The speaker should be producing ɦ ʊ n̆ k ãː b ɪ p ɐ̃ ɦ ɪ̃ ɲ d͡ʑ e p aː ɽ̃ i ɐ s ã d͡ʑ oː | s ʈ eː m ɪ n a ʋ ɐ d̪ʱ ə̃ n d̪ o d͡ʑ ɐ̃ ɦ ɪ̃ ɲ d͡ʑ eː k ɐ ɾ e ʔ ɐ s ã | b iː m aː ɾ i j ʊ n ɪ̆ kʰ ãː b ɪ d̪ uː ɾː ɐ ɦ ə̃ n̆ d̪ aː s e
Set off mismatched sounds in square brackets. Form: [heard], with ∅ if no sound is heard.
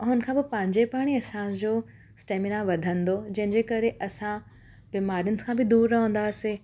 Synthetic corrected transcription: ɦ ʊ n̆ [kʰ] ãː b ɪ p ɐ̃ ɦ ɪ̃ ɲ d͡ʑ e p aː ɽ̃ i ɐ s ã d͡ʑ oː | s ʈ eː m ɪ n a ʋ ɐ d̪ʱ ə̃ n d̪ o d͡ʑ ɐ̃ ɦ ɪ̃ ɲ d͡ʑ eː k ɐ ɾ e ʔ ɐ s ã | b iː m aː ɾ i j ʊ n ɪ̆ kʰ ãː b ɪ d̪ uː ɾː ɐ ɦ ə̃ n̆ d̪ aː s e